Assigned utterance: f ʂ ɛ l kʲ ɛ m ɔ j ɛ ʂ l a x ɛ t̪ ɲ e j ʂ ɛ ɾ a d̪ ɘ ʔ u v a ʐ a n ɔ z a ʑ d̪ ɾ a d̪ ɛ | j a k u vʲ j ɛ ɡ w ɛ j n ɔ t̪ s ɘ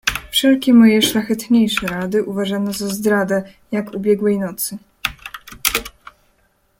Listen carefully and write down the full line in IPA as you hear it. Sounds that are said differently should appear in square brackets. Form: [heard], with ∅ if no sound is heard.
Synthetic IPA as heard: f ʂ ɛ l kʲ ɛ m ɔ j ɛ ʂ l a x ɛ t̪ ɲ e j ʂ ɛ ɾ a d̪ ɘ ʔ u v a ʐ a n ɔ z a [z] d̪ ɾ a d̪ ɛ | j a k u [bʲ] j ɛ ɡ w ɛ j n ɔ t̪ s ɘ